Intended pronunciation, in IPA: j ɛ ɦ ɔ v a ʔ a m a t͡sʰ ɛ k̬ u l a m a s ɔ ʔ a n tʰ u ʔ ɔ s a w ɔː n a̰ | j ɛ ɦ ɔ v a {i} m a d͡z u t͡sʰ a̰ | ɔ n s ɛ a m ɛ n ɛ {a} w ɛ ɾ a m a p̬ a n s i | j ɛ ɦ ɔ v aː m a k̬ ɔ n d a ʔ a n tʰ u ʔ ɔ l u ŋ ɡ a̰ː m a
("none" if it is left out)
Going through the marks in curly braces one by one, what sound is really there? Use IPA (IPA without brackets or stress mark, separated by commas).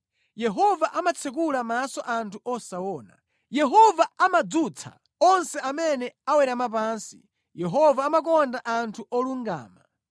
a, a